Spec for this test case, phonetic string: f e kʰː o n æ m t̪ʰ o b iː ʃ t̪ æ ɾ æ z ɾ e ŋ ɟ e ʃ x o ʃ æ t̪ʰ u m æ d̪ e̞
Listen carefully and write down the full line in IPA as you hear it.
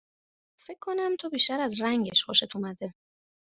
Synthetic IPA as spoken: f e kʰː o n æ m t̪ʰ o b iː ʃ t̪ æ ɾ æ z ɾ æ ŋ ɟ e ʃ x o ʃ e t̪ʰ u m æ d̪ e̞